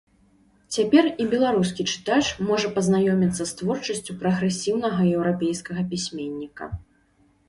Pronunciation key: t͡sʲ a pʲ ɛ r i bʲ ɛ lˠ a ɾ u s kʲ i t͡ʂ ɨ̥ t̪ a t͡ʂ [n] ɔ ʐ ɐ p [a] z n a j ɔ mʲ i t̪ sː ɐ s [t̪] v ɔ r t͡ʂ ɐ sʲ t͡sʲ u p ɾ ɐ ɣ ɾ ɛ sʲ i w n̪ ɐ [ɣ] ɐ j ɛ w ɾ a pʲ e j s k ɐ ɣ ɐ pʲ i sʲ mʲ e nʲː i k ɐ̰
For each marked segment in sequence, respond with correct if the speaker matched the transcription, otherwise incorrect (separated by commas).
incorrect, incorrect, correct, correct